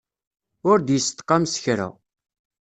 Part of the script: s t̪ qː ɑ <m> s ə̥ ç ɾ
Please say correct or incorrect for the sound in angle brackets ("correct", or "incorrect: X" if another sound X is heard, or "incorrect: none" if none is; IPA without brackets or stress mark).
correct